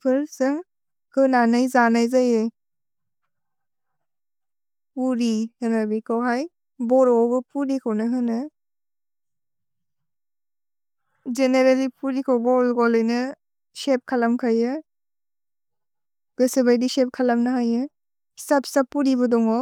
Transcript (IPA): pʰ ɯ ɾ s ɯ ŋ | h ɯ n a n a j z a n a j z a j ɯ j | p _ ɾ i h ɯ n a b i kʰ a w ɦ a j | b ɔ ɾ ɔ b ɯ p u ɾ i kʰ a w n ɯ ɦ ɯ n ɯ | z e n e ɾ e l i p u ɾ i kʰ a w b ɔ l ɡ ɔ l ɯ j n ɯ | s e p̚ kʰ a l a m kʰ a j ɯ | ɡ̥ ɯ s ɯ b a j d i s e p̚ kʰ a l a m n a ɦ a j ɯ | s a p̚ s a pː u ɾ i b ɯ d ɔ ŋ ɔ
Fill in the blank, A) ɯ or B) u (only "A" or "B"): B